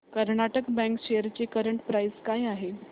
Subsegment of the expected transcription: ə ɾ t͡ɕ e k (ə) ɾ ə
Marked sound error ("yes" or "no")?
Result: no